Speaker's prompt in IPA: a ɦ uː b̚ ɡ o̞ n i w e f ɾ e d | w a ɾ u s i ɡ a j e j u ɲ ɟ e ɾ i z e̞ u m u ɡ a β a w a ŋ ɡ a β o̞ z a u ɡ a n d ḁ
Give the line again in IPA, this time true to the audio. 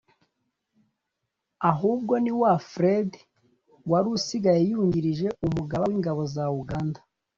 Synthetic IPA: a ɦ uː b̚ ɡ o̞ n i w a f ɾ e d | w a ɾ u s i ɡ a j e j u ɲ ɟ i ɾ i ʒ e̞ u m u ɡ a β a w i ŋ ɡ a β o̞ z a u ɡ a n d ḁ

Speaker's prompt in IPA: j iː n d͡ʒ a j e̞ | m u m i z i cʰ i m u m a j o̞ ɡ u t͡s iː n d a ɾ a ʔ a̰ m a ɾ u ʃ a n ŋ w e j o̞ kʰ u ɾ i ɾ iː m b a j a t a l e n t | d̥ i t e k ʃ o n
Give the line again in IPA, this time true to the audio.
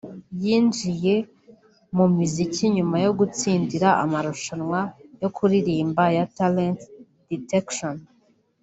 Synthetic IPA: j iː n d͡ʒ i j e̞ | m u m i z i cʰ i ɲ u m a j o̞ ɡ u t͡s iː n d i ɾ a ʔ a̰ m a ɾ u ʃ a n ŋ w a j o̞ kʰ u ɾ i ɾ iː m b a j a t a l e n t | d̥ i t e k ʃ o n

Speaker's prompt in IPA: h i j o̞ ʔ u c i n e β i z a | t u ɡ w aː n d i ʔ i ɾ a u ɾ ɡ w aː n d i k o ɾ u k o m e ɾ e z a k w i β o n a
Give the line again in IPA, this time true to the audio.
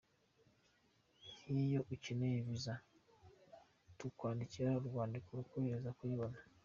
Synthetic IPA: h i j o̞ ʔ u c i n e β i z a | t u k w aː n d i c i ɾ a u ɾ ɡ w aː n d i k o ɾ u k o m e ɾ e z a k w i β o n a

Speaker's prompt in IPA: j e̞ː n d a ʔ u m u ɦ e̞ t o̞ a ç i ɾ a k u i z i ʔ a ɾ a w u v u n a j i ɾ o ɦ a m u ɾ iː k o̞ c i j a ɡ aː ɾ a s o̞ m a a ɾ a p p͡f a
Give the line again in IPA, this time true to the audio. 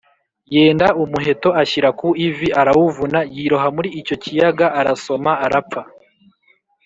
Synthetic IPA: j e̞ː n d a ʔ u m u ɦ e̞ t o̞ a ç i ɾ a k u i v i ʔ a ɾ a w u v u n a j i ɾ o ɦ a m u ɾ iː c o̞ c i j a ɡ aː ɾ a s o̞ m a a ɾ a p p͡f a

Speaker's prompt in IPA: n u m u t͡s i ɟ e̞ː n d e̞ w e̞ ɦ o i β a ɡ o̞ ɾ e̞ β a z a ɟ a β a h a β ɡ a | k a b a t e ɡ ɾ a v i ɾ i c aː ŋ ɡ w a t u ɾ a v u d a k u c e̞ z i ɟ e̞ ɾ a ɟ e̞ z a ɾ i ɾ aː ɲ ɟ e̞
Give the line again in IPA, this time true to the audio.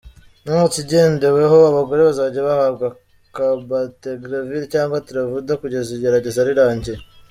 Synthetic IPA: n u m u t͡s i ɟ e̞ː n d e̞ w e̞ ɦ o a β a ɡ o̞ ɾ e̞ β a z a ɟ a β a h a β ɡ a | k a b a t e ɡ ɾ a v i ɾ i c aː ŋ ɡ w a t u ɾ a v u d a k u ɟ e̞ z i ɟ e̞ ɾ a ɟ e̞ z a ɾ i ɾ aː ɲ ɟ e̞

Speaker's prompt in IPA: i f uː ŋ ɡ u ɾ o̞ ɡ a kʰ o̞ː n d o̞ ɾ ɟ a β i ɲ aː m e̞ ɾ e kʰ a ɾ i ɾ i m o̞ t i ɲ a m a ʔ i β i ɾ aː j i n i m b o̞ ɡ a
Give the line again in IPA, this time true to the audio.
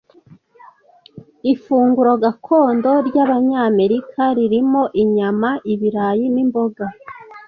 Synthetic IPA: i f uː ŋ ɡ u ɾ o̞ ɡ a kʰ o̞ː n d o̞ ɾ ɟ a β a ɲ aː m e̞ ɾ i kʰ a ɾ i ɾ i m o̞ ʔ i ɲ a m a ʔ i β i ɾ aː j i n i m b o̞ ɡ a

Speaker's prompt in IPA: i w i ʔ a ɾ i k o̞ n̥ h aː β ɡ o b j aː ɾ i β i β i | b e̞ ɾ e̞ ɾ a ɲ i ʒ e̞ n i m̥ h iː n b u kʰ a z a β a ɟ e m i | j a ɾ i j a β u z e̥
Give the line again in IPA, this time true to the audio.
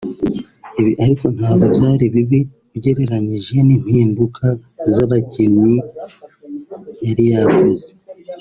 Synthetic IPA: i β i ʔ a ɾ i k o̞ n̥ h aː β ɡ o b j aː ɾ i β i β i | ɟ e̞ ɾ e̞ ɾ a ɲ i ʒ e̞ n i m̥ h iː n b u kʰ a z a β a c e m i | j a ɾ i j a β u z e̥

